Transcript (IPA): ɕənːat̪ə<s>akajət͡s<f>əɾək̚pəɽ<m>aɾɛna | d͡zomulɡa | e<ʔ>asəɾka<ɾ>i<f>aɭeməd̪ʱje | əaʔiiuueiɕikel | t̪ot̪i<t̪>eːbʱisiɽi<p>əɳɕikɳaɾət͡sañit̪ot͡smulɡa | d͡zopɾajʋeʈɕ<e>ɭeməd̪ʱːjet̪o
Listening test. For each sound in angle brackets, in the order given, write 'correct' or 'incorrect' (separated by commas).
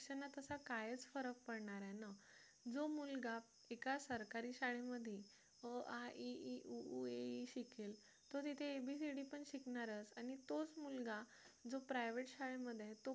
correct, correct, incorrect, incorrect, correct, incorrect, incorrect, correct, incorrect